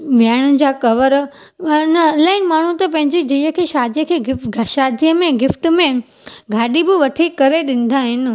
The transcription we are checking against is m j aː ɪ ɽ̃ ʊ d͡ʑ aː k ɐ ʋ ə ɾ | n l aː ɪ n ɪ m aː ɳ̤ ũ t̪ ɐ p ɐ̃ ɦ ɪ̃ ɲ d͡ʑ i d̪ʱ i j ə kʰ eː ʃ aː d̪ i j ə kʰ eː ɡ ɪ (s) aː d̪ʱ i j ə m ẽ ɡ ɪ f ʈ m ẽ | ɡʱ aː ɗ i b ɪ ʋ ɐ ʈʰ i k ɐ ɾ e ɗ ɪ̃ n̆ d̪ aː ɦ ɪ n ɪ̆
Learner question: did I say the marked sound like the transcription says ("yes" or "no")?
no